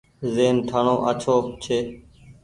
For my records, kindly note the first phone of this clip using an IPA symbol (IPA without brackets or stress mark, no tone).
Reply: z